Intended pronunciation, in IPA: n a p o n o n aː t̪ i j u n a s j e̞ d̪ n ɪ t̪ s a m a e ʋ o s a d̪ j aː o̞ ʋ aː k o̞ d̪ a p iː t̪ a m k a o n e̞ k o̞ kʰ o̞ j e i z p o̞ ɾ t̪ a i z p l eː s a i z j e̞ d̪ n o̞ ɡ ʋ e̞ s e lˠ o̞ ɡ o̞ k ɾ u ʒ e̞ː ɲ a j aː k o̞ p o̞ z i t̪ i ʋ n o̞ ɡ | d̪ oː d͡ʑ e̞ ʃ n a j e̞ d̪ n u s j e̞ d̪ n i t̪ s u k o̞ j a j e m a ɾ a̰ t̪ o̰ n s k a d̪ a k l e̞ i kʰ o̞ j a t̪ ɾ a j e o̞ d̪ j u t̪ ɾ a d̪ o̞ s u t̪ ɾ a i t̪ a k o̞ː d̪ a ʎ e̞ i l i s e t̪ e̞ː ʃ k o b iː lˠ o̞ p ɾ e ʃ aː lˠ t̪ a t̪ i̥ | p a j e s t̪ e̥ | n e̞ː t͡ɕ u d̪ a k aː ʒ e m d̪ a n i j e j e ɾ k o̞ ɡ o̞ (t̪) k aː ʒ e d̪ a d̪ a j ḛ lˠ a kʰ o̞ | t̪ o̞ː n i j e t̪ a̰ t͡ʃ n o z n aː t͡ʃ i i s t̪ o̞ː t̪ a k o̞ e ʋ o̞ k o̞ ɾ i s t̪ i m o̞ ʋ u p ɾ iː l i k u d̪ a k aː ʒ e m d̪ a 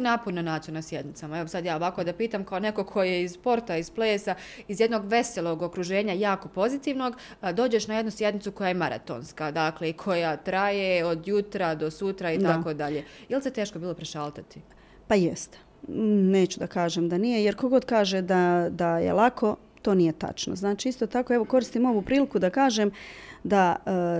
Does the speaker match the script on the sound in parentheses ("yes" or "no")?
no